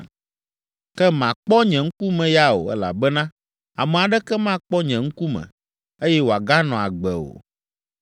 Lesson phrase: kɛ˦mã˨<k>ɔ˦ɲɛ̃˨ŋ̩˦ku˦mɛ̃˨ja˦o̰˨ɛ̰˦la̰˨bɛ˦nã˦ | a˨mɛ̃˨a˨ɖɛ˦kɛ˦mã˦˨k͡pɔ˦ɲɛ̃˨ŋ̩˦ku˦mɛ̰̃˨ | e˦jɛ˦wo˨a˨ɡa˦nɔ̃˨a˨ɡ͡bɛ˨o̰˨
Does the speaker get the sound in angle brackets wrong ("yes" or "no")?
yes